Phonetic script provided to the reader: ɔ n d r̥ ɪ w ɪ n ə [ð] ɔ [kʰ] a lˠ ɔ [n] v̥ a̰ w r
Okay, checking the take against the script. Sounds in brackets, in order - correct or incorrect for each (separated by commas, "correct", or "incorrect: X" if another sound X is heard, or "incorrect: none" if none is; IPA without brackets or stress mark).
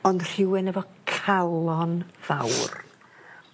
incorrect: v, correct, correct